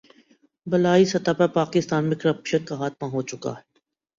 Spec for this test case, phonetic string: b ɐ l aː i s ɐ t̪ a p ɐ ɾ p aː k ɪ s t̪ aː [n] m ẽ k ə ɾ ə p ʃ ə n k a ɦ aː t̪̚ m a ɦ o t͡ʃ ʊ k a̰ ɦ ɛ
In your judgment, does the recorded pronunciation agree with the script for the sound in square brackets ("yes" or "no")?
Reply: yes